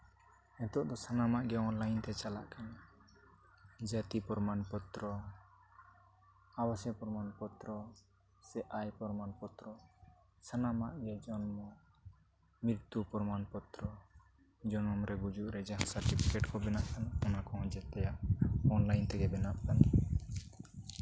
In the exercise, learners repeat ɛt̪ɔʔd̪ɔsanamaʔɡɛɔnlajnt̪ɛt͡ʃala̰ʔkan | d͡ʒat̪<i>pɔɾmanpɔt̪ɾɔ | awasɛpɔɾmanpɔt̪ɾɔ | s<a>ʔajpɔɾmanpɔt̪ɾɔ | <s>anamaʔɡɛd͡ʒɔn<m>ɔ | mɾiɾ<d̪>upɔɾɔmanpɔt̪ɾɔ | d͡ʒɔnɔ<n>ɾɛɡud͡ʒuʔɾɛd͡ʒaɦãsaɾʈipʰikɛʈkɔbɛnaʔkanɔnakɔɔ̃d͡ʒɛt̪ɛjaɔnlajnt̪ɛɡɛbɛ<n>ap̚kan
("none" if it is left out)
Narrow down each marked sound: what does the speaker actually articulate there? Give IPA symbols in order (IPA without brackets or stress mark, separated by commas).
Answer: i, ɛ, s, m, t̪, m, n